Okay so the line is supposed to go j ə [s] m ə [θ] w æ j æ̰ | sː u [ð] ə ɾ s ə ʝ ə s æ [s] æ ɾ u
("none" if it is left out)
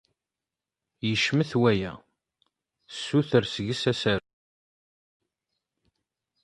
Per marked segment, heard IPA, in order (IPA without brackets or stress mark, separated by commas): ʃ, θ, θ, s